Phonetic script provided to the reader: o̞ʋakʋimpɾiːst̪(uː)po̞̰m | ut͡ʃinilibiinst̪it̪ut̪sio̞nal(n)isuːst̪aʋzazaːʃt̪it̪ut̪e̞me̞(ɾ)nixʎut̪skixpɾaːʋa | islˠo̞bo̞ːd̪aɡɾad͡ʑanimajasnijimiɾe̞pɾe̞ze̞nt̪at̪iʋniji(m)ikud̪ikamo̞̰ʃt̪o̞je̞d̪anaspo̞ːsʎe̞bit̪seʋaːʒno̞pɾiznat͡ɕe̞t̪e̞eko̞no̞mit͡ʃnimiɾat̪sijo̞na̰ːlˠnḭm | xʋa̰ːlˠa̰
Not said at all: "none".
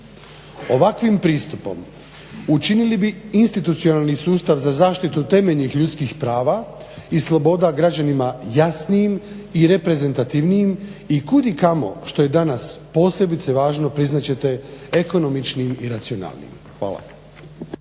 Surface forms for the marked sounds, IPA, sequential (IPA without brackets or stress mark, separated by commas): u, n, ʎ, m